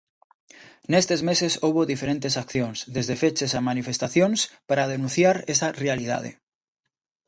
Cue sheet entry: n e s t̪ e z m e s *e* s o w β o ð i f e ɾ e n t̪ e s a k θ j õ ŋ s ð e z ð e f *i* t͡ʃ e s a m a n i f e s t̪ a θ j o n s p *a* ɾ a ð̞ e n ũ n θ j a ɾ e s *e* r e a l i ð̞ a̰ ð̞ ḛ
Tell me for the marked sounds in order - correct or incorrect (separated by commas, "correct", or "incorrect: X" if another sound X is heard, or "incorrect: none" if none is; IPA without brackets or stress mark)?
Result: correct, incorrect: e, correct, incorrect: a